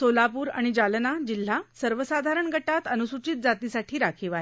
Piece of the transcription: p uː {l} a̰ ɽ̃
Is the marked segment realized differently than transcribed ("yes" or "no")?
yes